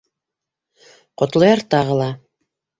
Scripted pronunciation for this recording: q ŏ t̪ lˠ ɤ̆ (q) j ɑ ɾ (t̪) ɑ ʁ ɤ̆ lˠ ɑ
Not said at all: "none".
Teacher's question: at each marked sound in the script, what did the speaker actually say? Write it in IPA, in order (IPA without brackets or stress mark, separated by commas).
none, t̪